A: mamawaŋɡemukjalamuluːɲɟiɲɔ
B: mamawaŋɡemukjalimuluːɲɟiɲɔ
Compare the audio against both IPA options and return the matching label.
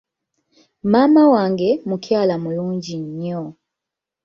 A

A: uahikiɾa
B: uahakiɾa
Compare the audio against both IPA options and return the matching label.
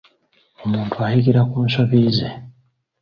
A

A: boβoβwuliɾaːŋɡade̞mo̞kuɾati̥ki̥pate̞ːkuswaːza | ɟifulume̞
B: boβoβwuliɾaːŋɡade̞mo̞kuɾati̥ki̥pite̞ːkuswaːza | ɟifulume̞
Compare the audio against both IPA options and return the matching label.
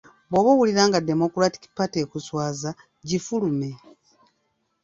A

